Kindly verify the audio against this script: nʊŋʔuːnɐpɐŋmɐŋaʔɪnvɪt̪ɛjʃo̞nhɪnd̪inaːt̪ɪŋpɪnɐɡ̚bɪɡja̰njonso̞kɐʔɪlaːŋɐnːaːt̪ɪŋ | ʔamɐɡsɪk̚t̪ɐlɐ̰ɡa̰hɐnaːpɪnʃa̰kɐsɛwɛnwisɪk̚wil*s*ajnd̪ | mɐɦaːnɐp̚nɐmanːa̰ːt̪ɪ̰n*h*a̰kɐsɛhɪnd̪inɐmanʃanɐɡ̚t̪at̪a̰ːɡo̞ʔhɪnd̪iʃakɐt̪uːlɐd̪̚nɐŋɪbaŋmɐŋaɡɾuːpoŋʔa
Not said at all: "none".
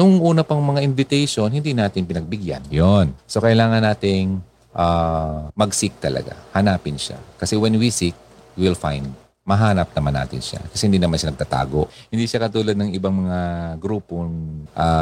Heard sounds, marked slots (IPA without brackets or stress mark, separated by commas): f, ʃ